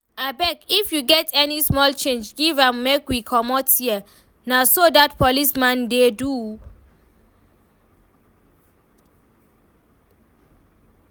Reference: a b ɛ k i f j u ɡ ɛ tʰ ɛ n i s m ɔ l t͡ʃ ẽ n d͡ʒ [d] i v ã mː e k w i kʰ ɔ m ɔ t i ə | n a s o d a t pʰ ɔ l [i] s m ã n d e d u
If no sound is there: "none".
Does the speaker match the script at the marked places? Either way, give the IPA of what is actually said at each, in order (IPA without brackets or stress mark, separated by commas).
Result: ɡ, i